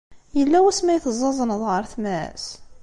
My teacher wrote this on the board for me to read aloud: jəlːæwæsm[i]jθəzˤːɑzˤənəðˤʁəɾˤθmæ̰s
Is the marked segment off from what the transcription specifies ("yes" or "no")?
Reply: yes